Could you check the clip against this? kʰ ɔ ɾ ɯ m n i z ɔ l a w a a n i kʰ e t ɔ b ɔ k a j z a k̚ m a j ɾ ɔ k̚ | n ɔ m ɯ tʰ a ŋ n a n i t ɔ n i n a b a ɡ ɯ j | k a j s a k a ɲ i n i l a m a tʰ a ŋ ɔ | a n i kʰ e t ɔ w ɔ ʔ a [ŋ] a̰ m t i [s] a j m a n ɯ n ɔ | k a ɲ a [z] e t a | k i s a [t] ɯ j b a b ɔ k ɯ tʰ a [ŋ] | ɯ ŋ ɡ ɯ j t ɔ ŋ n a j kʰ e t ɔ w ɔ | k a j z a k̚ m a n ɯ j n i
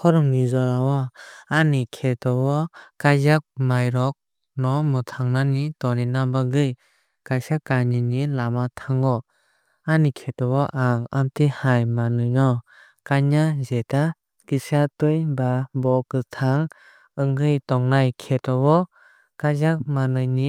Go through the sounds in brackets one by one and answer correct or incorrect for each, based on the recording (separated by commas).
correct, incorrect, correct, correct, correct